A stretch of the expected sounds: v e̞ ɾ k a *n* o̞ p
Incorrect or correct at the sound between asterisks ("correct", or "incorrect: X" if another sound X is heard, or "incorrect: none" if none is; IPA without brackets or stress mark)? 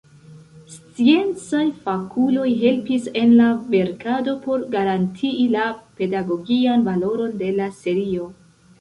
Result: incorrect: d